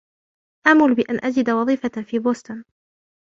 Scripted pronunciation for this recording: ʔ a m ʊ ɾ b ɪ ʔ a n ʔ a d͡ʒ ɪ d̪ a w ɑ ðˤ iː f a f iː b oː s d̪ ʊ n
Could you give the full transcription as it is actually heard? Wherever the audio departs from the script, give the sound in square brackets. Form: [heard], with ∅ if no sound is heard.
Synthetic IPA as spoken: ʔ a m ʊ [l] b ɪ ʔ a n ʔ a d͡ʒ ɪ d̪ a w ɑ ðˤ iː f a f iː b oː s [t̪] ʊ n